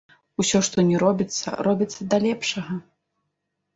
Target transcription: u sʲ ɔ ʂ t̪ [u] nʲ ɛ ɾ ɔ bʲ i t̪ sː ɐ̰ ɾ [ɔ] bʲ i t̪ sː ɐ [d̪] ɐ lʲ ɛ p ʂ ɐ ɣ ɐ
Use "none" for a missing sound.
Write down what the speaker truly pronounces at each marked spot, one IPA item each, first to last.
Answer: ɔ, ɔ, d̪

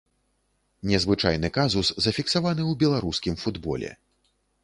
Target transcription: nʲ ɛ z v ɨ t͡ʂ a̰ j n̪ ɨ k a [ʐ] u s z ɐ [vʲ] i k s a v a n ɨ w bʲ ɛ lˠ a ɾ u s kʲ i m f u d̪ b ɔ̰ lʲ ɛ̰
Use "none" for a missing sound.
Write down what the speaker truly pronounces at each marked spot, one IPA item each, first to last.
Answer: z, fʲ

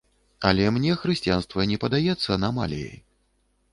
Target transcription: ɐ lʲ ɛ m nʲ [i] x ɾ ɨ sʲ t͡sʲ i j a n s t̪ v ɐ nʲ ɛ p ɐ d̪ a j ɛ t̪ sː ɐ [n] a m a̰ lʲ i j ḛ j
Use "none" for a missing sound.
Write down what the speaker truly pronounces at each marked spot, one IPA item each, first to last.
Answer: ɛ, n

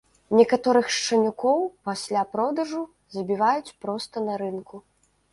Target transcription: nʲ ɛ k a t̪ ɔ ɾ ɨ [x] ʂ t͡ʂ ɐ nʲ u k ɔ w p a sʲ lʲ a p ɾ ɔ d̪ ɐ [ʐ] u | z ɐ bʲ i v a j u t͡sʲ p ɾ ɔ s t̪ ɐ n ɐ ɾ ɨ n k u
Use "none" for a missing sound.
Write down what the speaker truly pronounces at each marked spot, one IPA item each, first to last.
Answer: x, ʐ

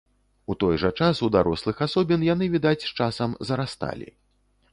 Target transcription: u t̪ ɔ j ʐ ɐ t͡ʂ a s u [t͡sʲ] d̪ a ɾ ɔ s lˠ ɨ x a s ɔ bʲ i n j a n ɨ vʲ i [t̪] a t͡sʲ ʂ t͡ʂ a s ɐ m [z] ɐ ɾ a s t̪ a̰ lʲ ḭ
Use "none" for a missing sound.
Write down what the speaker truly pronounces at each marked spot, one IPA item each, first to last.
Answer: none, d̪, z

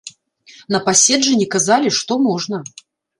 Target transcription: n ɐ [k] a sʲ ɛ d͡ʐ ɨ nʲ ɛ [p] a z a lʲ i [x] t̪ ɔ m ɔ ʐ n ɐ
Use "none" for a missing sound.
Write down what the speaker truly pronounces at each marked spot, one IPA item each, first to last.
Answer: p, k, ʂ

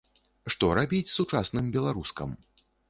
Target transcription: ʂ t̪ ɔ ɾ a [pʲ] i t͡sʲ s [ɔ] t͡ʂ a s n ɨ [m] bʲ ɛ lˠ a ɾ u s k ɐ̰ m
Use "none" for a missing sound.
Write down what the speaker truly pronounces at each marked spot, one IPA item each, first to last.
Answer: bʲ, u, m

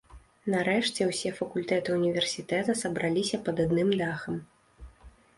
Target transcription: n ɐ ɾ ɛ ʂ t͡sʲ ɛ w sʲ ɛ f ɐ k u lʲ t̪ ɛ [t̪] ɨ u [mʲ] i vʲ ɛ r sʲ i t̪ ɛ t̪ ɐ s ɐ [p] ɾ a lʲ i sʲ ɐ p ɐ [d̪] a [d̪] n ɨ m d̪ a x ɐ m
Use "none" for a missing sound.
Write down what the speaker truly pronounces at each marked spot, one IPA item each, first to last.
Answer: t̪, nʲ, b, d̪, d̪

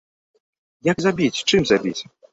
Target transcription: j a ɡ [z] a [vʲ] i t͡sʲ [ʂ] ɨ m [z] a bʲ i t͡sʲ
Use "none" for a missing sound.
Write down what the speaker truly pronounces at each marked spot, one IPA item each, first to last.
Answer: z, bʲ, t͡ʂ, z

